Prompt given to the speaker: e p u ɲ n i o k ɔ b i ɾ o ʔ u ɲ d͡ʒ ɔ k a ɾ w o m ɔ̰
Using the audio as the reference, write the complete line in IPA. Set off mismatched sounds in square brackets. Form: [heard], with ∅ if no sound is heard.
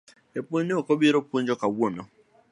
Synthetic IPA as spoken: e p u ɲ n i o k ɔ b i ɾ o [p] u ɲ d͡ʒ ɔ k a [∅] w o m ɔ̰